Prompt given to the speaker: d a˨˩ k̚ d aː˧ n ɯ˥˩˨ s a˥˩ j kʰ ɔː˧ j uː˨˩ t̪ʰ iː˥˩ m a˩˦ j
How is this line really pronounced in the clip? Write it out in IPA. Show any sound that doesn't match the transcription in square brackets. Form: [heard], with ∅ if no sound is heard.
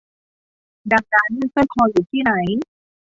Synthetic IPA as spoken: d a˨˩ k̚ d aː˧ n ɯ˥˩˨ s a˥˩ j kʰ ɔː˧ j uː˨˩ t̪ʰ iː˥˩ [n] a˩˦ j